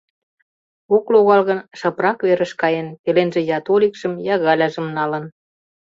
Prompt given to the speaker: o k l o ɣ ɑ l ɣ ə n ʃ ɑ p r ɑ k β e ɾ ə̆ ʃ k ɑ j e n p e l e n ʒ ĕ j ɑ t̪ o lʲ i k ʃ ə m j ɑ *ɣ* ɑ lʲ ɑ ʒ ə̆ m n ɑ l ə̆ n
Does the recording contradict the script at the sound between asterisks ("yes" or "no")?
no